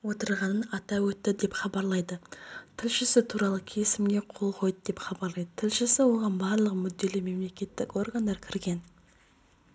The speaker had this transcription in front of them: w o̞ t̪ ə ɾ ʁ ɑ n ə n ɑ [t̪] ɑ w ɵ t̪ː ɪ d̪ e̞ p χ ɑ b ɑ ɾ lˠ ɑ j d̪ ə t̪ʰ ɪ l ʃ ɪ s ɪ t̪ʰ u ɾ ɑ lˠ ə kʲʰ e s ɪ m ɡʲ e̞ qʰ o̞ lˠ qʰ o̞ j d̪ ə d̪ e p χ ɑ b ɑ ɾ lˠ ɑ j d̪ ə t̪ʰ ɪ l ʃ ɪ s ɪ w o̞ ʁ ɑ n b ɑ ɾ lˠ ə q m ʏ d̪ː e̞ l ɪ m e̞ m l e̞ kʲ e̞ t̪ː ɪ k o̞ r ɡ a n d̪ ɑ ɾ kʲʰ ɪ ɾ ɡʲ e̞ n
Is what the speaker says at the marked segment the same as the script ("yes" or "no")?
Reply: yes